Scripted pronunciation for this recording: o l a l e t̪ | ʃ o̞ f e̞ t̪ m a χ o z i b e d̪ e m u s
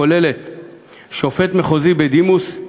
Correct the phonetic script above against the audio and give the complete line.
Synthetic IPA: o l e l e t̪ | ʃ o̞ f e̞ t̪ m e χ o z i b e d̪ i m u s

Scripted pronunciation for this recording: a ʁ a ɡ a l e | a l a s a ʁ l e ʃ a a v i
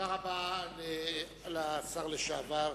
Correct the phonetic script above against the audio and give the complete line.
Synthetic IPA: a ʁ a b a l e | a l a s a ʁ l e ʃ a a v a

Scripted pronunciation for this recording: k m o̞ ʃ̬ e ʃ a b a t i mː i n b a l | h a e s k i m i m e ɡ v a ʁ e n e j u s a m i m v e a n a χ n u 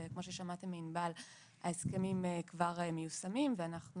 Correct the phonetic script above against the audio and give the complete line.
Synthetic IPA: k m o̞ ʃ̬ e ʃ a m a t e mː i n b a l | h a e s k e m i m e k v a ʁ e m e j u s a m i m v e a n a χ n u

